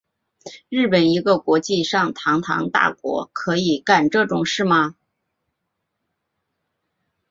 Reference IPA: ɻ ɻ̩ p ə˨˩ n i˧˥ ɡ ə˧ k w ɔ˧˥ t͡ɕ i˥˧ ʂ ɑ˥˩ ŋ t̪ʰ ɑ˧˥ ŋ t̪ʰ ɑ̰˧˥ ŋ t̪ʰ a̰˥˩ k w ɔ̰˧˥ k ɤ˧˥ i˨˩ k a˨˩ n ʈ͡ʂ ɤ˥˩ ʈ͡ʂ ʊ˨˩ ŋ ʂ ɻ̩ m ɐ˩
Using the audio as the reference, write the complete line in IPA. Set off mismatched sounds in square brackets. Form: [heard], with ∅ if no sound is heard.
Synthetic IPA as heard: ɻ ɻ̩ p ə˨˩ n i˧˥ ɡ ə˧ k w ɔ˧˥ t͡ɕ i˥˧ ʂ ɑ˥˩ ŋ t̪ʰ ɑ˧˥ ŋ t̪ʰ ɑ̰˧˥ ŋ [t̪] a̰˥˩ k w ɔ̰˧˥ [kʰ] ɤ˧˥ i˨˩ k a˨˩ n ʈ͡ʂ ɤ˥˩ ʈ͡ʂ ʊ˨˩ ŋ ʂ ɻ̩ m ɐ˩

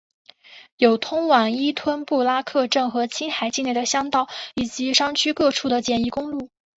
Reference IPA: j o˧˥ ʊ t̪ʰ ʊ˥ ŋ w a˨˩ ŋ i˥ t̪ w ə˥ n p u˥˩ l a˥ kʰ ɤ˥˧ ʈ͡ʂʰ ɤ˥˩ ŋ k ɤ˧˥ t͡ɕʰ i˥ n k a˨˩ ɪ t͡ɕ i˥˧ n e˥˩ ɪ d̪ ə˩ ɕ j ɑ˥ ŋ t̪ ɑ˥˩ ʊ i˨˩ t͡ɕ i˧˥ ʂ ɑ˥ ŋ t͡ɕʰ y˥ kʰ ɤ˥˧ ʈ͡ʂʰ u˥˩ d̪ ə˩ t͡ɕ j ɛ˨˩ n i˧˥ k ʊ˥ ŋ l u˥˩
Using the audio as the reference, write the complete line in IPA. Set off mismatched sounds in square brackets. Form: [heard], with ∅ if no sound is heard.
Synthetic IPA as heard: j [o˨˩] ʊ t̪ʰ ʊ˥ ŋ w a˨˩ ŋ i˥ [t̪ʰ] w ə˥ n p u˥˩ l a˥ kʰ ɤ˥˧ [ʈ͡ʂ] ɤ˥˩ ŋ [x] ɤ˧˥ t͡ɕʰ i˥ n [x] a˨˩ ɪ t͡ɕ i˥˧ n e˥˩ ɪ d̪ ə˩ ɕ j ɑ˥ ŋ t̪ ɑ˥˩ ʊ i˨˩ t͡ɕ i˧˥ ʂ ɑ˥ ŋ t͡ɕʰ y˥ [k] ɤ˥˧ ʈ͡ʂʰ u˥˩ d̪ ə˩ t͡ɕ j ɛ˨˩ n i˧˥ k ʊ˥ ŋ l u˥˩

